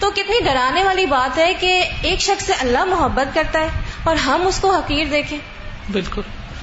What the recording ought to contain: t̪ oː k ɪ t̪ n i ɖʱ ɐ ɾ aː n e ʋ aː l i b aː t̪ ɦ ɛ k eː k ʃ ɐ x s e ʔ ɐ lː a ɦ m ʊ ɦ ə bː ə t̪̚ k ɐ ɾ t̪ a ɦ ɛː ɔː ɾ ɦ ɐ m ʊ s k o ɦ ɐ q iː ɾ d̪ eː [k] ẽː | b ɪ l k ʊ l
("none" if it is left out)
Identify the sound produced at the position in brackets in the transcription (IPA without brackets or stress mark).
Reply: kʰ